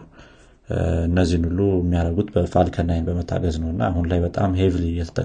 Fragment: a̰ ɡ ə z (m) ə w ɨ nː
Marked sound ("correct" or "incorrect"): incorrect